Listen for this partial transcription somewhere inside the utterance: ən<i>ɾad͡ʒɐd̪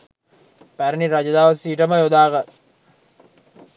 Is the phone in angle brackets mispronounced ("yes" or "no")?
no